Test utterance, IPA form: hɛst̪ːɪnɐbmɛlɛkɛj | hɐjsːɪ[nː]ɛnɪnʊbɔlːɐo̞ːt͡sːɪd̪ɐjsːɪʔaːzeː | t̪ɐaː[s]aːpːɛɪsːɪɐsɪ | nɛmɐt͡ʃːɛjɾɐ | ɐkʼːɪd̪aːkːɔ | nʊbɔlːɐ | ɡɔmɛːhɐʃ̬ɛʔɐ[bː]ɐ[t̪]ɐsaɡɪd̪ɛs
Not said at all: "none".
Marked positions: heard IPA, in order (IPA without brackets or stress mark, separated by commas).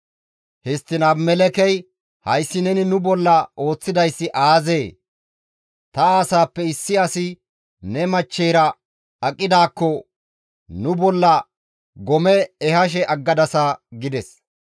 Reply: n, s, ɡː, d̪